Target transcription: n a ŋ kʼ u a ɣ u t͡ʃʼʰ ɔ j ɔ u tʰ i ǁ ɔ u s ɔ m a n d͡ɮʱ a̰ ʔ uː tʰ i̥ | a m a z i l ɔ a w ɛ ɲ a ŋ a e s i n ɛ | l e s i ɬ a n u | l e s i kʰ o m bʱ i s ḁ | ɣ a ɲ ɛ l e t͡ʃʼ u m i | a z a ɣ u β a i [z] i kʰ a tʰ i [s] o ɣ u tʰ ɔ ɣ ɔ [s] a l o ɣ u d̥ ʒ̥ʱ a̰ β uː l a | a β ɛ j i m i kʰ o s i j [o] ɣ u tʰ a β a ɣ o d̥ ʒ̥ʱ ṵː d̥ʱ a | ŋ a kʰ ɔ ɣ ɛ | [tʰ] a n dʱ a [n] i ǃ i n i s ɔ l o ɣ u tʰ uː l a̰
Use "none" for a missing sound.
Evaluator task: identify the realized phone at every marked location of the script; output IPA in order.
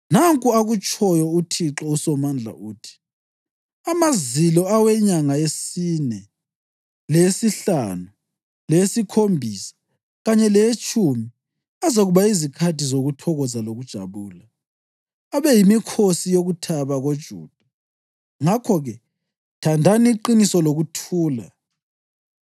z, z, z, o, tʰ, n

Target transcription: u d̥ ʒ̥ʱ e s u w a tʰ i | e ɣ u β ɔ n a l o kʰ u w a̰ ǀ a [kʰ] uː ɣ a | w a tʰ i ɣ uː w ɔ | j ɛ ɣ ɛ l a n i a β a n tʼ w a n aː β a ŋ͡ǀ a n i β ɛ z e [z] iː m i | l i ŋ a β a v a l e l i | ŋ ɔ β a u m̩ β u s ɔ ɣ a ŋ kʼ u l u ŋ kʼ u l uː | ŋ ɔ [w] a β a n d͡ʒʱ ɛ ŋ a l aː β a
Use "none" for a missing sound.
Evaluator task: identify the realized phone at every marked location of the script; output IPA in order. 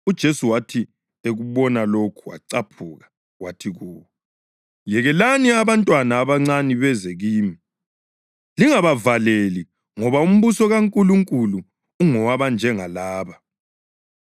pʰ, ɣ, w

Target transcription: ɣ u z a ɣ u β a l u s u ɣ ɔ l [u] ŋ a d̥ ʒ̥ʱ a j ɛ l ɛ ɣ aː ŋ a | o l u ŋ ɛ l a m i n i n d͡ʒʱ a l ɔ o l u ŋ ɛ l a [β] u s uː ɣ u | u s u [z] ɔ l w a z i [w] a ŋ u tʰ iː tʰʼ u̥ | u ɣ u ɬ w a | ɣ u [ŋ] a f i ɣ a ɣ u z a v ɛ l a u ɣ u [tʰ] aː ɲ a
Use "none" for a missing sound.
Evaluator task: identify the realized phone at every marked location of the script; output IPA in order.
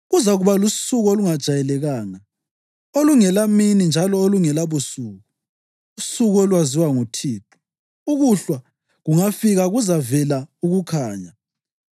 u, β, ɣ, w, ŋ, kʰ

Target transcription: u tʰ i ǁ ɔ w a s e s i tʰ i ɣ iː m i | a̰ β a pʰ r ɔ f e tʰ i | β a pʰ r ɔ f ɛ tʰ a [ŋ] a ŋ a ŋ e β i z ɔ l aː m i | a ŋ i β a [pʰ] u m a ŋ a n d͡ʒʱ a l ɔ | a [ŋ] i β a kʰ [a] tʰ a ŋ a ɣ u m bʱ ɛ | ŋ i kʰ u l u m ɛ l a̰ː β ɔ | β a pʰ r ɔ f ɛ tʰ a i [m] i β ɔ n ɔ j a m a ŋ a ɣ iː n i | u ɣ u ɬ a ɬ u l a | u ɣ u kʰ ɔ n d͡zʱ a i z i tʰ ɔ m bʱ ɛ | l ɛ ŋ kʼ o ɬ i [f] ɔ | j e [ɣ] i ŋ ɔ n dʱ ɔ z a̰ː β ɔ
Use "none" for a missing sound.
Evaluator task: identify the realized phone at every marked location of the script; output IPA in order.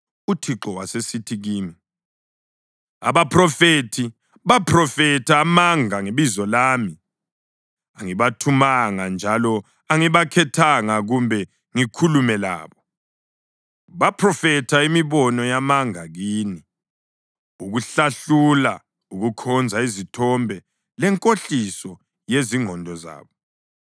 m, tʰ, ŋ, ɛ, m, s, z

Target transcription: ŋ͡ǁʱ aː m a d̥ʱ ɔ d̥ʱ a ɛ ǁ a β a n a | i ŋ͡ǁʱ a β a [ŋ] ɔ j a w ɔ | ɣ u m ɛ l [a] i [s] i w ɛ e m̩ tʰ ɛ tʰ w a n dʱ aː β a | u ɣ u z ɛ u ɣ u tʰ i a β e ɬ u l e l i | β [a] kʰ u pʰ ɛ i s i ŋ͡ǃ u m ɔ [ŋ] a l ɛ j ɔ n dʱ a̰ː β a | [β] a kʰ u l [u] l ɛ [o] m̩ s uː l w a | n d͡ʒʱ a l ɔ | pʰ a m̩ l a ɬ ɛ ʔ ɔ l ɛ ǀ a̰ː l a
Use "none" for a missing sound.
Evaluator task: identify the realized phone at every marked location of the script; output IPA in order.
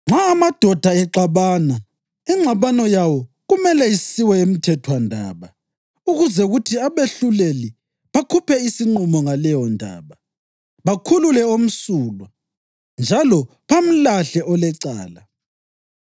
n, ɛ, s, a, ŋ, β, u, o

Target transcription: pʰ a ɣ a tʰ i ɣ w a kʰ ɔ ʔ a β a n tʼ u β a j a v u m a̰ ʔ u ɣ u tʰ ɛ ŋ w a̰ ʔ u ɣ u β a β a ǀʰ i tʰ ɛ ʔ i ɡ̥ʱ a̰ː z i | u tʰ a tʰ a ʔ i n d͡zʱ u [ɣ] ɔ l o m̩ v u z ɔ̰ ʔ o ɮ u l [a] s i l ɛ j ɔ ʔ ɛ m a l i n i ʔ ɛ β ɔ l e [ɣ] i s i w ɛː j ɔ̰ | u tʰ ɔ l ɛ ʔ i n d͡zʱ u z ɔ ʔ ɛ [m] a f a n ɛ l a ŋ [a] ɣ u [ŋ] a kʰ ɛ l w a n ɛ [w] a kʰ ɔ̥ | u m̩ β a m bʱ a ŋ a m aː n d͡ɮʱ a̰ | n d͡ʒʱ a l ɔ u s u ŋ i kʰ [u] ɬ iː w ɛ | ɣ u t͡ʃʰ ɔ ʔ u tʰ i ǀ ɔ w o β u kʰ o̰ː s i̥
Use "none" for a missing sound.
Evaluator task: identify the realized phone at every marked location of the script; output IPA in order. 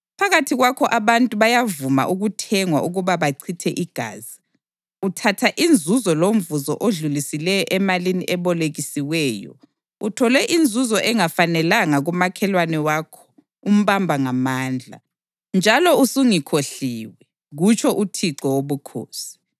z, i, ɣ, ŋ, a, m, w, o

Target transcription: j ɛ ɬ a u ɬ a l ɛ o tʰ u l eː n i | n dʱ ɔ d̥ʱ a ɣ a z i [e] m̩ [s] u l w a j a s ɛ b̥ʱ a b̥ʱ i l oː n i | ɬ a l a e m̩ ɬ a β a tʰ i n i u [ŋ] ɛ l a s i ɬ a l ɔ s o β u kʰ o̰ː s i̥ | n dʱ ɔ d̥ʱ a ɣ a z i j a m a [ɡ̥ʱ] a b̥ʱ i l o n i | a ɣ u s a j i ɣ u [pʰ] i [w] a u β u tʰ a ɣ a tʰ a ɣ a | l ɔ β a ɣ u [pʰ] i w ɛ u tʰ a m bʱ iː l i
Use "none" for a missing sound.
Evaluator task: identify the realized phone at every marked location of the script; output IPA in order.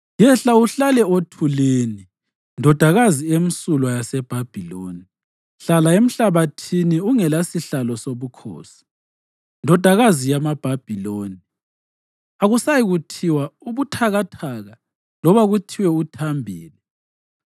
e, s, ŋ, b̥ʱ, tʰ, w, tʰ

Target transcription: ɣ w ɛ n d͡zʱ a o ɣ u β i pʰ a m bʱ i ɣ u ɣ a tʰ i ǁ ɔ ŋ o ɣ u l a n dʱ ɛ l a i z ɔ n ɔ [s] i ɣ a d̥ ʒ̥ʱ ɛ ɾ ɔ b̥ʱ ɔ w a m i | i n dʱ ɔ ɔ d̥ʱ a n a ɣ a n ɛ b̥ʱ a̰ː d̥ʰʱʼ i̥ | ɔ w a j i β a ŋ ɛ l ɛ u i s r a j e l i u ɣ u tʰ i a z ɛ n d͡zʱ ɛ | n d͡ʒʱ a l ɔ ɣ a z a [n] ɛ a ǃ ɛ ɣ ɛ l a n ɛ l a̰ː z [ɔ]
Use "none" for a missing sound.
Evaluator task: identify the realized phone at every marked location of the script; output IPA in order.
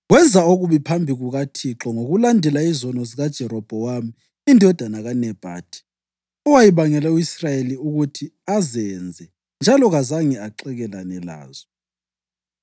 z, ŋ, ɔ

